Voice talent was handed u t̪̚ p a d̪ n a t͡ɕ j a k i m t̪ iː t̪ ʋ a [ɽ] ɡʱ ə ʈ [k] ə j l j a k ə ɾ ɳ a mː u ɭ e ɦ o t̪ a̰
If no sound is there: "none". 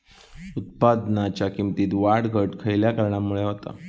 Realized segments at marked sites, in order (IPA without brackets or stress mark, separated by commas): ɽ, kʰ